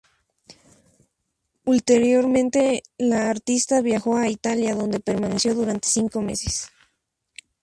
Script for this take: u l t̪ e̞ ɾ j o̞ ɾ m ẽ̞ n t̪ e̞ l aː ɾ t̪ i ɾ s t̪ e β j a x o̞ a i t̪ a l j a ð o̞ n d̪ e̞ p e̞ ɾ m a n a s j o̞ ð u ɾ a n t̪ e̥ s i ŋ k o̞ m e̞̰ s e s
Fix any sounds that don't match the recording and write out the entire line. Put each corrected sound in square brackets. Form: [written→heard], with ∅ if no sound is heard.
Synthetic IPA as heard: u l t̪ e̞ ɾ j o̞ ɾ m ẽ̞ n t̪ e̞ l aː ɾ t̪ i [ɾ→∅] s t̪ [e→a] β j a x o̞ a i t̪ a l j a ð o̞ n d̪ e̞ p e̞ ɾ m a n [a→e] s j o̞ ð u ɾ a n t̪ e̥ s i ŋ k o̞ m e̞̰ s e s